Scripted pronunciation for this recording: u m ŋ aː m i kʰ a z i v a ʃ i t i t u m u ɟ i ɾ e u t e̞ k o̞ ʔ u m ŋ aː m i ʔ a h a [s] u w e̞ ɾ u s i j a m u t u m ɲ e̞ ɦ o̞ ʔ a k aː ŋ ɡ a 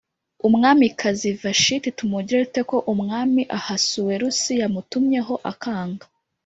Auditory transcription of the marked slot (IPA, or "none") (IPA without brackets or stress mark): s